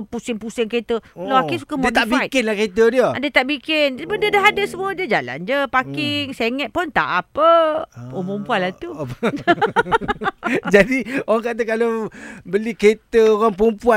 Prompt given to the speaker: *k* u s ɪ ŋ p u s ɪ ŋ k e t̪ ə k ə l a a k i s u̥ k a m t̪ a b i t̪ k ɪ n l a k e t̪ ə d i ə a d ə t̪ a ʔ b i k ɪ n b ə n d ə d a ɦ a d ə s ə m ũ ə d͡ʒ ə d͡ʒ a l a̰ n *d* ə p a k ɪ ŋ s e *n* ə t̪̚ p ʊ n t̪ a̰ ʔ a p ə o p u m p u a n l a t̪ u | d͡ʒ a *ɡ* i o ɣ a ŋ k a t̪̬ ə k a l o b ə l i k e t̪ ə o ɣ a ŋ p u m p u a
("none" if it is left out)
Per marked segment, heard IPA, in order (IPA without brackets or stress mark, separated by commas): p, d͡ʒ, ŋ, d